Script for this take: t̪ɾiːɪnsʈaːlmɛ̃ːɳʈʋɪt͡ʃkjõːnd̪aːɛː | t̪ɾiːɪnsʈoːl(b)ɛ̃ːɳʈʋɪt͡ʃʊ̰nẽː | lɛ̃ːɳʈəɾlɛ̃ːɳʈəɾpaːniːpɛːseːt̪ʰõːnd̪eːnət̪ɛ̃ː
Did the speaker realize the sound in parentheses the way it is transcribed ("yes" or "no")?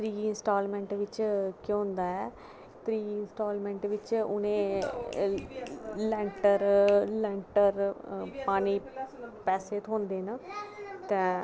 no